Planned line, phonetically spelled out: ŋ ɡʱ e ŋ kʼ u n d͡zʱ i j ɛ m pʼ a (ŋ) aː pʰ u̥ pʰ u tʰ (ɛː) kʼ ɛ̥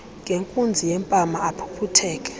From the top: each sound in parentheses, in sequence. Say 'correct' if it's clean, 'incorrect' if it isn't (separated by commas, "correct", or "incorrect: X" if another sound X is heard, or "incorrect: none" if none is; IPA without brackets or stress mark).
incorrect: m, correct